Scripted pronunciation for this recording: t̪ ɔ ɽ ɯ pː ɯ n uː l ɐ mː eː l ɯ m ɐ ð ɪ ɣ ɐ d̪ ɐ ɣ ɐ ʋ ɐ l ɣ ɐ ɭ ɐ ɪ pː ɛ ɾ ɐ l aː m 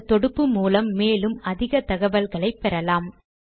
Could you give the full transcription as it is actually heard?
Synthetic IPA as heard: t̪ ɔ ɽ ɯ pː ɯ m uː l ɐ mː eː l ɯ m ɐ ð ɪ ɣ ɐ t̪ ɐ ɣ ɐ ʋ ɐ l ɣ ɐ ɭ ɐ ɪ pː ɛ ɾ ɐ l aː m